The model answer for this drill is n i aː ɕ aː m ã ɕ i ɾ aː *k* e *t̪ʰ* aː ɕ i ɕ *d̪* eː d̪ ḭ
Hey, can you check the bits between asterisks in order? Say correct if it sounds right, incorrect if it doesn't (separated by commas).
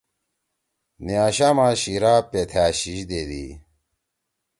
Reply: incorrect, correct, correct